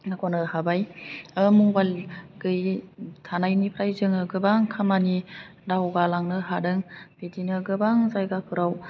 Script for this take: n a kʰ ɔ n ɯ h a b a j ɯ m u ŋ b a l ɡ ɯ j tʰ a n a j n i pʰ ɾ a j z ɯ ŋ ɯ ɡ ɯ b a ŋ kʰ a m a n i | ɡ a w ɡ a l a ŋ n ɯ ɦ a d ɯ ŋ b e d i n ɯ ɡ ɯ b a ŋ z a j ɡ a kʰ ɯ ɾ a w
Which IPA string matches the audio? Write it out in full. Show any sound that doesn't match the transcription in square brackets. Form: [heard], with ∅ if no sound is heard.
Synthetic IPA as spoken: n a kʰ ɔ n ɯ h a b a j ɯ m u ŋ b a l ɡ ɯ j tʰ a n a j n i pʰ ɾ a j z ɯ ŋ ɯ ɡ ɯ b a ŋ kʰ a m a n i | [d] a w ɡ a l a ŋ n ɯ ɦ a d ɯ ŋ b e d i n ɯ ɡ ɯ b a ŋ z a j ɡ a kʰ ɯ ɾ a w